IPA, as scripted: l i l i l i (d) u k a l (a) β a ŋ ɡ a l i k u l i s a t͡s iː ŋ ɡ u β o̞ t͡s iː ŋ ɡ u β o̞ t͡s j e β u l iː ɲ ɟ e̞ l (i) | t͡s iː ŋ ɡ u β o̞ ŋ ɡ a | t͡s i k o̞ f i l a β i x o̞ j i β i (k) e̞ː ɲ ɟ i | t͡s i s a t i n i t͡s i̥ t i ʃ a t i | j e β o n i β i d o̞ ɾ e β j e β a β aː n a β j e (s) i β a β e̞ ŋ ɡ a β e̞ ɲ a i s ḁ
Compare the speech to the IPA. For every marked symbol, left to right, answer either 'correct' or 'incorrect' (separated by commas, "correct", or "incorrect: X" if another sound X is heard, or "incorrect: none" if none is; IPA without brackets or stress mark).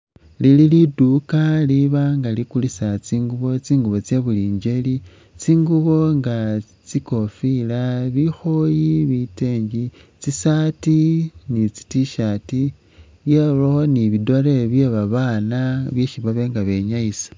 correct, incorrect: i, correct, incorrect: t, incorrect: ʃ